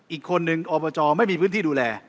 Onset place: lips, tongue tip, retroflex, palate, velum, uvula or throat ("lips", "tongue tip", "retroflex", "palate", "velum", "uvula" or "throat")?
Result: throat